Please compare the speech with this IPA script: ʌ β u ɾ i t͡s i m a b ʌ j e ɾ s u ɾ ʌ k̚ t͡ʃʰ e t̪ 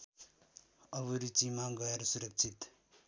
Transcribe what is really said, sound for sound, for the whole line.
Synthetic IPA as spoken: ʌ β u ɾ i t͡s i m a ɡ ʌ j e ɾ s u ɾ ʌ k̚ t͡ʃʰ i t̪